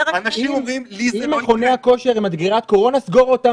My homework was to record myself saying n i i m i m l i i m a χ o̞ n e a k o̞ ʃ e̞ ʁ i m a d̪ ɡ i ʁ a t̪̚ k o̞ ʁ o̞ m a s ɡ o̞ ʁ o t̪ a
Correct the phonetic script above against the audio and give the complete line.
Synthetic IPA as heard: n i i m i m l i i m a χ o̞ n e a k o̞ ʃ e̞ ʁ i m a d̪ ɡ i ʁ a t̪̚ k o̞ ʁ o̞ n a s ɡ o̞ ʁ o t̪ a